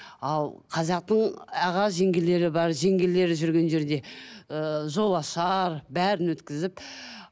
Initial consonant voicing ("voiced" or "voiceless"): voiced